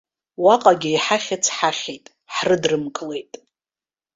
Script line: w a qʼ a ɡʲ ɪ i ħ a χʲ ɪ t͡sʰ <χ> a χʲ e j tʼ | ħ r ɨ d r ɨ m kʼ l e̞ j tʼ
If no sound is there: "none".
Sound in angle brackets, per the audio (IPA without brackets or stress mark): ħ